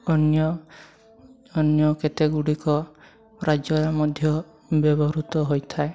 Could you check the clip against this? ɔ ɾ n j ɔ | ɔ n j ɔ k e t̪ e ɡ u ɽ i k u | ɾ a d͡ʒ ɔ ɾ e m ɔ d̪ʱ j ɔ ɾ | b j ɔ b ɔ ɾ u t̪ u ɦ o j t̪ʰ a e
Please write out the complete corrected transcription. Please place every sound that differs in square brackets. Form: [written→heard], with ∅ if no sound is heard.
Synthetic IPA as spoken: ɔ [ɾ→∅] n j ɔ | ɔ n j ɔ k e t̪ e ɡ u ɽ i k [u→ɔ] | ɾ a d͡ʒ ɔ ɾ [e→a] m ɔ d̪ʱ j ɔ [ɾ→∅] | b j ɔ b ɔ ɾ u t̪ [u→ɔ] ɦ o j t̪ʰ a e